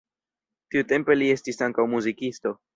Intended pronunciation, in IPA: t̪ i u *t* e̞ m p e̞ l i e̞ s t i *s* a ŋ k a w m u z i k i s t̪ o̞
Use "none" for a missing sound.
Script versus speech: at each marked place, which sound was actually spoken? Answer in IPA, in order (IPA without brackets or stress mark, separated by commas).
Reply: t, s